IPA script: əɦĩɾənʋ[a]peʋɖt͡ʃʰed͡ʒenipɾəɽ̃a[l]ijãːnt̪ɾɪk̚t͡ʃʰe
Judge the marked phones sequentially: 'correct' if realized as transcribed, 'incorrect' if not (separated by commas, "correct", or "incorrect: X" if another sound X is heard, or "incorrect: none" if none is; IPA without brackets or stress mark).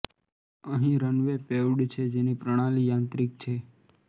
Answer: incorrect: e, correct